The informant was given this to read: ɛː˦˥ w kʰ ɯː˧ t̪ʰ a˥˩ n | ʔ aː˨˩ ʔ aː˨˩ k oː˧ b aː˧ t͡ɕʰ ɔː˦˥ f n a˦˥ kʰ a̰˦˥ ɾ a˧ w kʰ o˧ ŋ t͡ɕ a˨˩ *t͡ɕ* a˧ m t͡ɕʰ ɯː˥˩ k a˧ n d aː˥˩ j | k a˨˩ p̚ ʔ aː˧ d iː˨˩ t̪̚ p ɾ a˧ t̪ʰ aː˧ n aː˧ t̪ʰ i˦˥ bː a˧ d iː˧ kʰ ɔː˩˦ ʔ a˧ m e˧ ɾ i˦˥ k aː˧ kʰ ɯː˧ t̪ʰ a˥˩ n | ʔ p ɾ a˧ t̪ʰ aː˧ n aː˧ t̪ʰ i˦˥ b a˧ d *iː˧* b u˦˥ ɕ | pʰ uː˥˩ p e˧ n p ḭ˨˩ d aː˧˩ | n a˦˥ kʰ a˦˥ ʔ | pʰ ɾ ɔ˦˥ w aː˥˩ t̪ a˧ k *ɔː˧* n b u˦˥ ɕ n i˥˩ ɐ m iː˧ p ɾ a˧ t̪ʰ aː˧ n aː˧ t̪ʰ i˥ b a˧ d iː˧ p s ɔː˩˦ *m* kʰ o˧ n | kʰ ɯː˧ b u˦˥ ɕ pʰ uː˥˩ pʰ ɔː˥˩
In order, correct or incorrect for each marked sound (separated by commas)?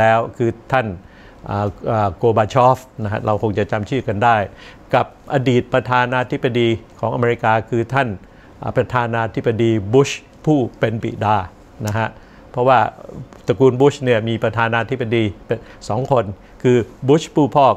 correct, correct, incorrect, incorrect